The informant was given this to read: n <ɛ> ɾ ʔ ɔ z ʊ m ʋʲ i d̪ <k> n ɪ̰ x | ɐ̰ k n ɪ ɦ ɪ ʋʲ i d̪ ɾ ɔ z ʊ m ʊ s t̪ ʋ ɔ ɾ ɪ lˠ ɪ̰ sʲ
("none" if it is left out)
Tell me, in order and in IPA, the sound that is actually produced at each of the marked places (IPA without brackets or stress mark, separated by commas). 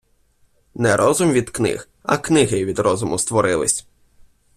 ɛ, k